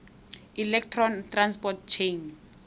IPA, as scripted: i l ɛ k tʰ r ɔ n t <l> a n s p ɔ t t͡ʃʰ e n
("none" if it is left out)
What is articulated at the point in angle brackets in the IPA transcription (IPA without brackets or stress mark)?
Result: r